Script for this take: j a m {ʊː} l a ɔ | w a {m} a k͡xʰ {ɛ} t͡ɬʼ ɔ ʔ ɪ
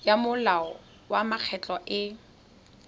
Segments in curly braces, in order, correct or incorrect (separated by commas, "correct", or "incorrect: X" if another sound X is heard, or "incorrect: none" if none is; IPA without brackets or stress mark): incorrect: ʊ, correct, correct